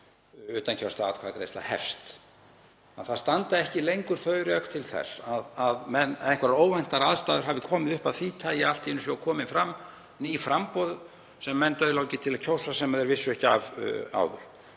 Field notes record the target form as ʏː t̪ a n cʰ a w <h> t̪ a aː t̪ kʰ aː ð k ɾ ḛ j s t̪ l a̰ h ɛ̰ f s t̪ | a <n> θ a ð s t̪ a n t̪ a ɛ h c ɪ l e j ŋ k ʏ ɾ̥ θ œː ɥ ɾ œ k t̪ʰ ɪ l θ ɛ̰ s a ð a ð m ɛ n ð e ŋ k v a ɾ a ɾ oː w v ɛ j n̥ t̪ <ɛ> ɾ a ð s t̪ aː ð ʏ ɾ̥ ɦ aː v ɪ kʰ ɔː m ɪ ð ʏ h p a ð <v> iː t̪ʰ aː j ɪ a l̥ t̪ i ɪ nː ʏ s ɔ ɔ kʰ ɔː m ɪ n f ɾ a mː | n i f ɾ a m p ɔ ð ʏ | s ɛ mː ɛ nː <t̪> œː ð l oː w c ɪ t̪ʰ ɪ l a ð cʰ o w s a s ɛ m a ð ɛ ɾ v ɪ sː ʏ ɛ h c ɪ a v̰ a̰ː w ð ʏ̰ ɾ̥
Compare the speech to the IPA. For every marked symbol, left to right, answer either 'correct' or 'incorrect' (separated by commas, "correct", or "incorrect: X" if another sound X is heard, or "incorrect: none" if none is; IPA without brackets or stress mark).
incorrect: s, correct, incorrect: a, incorrect: f, correct